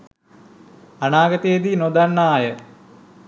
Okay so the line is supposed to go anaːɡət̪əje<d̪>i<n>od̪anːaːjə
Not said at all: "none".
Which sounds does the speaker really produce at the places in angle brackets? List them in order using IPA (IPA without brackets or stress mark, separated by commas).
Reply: d̪, n